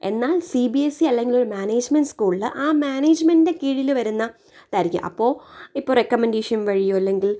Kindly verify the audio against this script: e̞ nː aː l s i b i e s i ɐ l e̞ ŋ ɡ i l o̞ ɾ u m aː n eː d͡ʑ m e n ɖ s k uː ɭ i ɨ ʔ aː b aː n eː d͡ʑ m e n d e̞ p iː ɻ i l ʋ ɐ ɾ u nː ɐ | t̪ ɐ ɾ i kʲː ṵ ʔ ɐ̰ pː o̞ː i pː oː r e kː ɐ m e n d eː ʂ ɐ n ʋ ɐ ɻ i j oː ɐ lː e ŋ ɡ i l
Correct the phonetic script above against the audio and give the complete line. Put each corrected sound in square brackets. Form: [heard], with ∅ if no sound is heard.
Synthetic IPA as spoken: e̞ nː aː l s i b i e s i ɐ [lː] e̞ ŋ ɡ i l o̞ ɾ u m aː n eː d͡ʑ m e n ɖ s k uː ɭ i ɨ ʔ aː [m] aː n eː d͡ʑ m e n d e̞ [k] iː ɻ i l ʋ ɐ ɾ u nː ɐ | t̪ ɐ ɾ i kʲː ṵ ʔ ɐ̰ pː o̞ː i pː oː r e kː ɐ m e n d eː ʂ ɐ n ʋ ɐ ɻ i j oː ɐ lː e ŋ ɡ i l